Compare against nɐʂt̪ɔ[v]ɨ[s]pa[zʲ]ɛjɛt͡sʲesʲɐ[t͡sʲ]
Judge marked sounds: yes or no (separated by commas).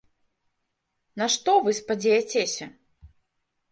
yes, yes, no, no